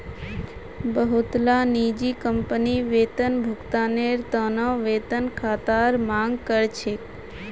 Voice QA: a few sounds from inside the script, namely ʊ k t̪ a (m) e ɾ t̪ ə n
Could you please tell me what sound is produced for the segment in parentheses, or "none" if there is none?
n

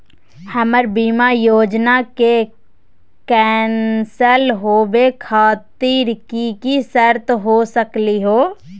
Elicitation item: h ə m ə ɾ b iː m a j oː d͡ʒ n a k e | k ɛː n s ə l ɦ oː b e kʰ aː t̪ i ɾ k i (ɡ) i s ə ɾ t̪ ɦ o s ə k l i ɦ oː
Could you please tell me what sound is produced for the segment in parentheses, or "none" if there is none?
k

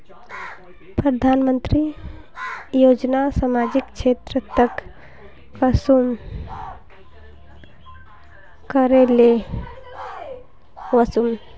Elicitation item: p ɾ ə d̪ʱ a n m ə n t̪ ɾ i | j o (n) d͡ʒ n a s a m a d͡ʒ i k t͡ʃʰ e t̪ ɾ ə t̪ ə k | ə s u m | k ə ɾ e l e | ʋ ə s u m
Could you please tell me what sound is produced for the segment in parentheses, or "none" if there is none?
none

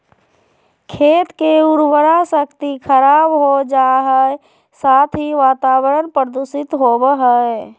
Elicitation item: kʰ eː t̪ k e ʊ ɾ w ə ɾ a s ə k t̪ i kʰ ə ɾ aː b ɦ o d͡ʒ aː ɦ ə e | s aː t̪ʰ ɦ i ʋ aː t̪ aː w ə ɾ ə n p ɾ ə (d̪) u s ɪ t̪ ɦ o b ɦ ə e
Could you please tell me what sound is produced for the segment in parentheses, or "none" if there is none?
d̪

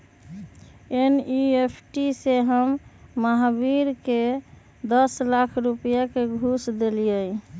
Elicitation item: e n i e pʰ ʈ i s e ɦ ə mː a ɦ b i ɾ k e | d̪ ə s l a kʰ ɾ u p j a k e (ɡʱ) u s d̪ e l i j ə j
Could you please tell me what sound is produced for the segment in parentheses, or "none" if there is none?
ɡʱ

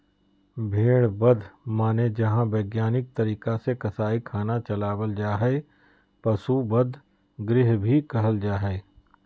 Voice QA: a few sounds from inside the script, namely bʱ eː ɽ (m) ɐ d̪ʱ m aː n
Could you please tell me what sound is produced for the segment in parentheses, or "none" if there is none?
b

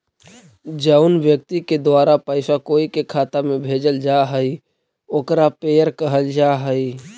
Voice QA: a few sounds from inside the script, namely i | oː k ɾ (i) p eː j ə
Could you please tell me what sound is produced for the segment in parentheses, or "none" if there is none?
a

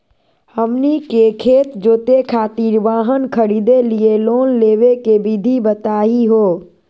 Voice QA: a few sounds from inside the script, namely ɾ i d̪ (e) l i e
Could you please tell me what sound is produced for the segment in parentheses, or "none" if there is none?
e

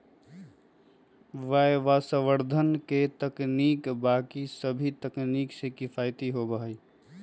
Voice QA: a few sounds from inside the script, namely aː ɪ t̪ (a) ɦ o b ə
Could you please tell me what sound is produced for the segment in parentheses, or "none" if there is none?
i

